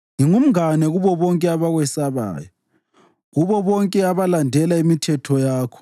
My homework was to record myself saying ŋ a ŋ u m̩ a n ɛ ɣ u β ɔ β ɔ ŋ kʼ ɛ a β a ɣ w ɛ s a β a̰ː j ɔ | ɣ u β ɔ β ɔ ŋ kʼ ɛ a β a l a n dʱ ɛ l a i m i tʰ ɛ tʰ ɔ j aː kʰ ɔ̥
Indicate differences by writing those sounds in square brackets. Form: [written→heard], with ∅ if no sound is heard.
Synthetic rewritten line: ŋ [a→i] ŋ u m̩ a n ɛ ɣ u β ɔ β ɔ ŋ kʼ ɛ a β a ɣ w ɛ s a β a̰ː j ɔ | ɣ u β ɔ β ɔ ŋ kʼ ɛ a β a l a n dʱ ɛ l a i m i tʰ ɛ tʰ ɔ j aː kʰ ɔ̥